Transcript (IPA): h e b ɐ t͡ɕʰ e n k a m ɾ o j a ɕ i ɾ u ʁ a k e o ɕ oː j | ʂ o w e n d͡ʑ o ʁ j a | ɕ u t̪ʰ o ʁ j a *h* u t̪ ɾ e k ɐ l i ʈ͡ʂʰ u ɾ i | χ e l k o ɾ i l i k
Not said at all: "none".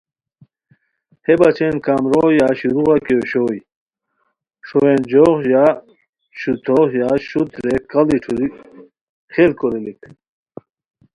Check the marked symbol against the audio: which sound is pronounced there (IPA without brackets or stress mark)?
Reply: ɕ